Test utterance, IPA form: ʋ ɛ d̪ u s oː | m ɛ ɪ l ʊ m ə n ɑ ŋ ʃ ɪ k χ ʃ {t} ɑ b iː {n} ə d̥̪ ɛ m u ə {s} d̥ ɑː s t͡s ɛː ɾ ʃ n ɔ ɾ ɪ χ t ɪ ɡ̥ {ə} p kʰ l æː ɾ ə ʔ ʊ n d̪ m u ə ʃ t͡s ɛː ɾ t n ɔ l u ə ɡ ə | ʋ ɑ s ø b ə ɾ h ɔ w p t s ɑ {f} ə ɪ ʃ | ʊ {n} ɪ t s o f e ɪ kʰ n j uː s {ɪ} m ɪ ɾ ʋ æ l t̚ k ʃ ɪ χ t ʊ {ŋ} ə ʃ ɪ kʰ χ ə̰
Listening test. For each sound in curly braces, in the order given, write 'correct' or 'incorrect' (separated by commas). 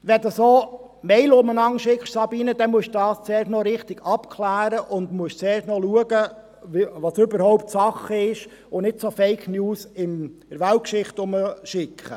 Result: incorrect, correct, incorrect, incorrect, incorrect, correct, correct, incorrect